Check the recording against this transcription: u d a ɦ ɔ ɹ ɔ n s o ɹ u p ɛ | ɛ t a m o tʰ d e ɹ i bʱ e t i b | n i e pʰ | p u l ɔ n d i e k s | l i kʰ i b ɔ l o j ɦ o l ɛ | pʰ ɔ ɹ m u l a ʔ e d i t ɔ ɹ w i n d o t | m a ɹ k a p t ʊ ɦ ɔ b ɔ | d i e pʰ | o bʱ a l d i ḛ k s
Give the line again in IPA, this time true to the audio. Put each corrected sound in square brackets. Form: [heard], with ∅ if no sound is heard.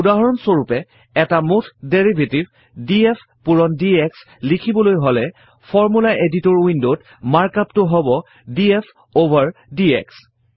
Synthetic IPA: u d a ɦ ɔ ɹ ɔ n s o ɹ u p ɛ | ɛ t a m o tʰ d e ɹ i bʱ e t i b | [d] i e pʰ | p u [ɹ] ɔ n d i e k s | l i kʰ i b ɔ l o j ɦ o l ɛ | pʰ ɔ ɹ m u l a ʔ e d i t ɔ ɹ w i n d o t | m a ɹ k a p t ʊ ɦ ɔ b ɔ | d i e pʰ | o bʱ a [ɹ] d i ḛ k s